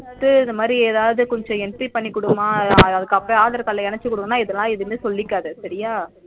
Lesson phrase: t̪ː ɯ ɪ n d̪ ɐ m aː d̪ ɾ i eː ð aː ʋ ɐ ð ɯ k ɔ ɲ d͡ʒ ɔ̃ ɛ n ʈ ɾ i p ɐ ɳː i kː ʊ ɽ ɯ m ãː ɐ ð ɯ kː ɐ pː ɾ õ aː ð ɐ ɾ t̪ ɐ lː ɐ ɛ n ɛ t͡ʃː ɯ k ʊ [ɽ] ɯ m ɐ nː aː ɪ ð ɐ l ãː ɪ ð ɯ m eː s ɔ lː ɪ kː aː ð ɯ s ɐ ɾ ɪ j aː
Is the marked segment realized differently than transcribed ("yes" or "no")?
no